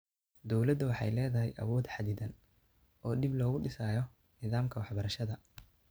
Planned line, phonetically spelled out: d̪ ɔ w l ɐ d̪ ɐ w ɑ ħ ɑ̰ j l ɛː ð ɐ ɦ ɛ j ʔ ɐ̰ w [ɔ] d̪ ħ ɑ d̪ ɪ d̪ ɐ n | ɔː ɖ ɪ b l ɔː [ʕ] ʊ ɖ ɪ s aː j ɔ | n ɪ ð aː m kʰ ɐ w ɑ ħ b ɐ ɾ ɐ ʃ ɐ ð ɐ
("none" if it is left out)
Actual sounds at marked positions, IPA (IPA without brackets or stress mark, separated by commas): ɔː, ɣ